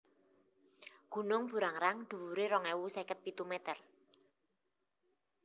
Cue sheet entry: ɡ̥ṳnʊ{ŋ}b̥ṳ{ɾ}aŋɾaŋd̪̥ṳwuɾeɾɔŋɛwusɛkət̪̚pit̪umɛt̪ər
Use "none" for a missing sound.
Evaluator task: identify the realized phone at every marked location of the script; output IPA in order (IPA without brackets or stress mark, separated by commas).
ŋ, ɾ